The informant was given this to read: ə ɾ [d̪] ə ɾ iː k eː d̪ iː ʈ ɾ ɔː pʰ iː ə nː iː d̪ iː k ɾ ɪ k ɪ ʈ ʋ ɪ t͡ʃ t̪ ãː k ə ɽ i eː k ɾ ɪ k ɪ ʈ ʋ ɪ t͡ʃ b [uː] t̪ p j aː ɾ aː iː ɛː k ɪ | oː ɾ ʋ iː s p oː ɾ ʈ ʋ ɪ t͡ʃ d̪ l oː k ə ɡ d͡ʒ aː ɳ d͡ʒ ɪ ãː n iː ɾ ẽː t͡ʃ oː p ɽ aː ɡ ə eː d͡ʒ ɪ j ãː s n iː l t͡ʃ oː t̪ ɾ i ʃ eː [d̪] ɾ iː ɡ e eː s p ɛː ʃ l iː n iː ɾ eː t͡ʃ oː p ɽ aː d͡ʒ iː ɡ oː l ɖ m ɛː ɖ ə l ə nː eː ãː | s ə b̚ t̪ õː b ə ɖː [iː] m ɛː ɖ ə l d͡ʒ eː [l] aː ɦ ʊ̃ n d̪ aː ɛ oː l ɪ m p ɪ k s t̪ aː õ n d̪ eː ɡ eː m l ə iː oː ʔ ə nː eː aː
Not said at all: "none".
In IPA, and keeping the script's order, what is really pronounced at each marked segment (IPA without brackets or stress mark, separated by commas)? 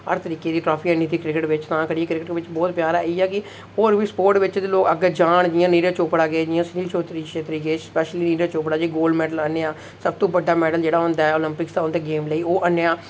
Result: t̪, ɔː, t̪, aː, ɽ